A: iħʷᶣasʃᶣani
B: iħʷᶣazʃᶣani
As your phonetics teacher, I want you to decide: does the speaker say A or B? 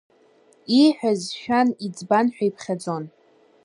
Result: B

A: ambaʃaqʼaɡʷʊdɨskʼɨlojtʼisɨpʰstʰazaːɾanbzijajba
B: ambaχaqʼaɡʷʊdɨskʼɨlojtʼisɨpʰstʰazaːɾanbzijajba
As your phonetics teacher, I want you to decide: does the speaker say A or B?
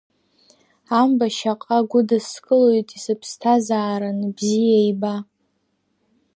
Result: A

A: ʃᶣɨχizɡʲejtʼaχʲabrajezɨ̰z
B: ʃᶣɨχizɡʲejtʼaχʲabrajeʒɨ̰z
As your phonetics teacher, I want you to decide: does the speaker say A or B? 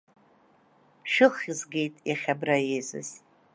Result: A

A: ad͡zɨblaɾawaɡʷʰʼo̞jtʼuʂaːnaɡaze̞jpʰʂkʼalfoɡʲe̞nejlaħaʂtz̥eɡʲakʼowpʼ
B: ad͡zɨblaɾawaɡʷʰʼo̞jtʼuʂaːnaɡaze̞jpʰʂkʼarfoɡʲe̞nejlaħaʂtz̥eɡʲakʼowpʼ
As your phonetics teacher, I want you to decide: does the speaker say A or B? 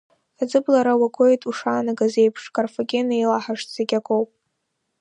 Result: B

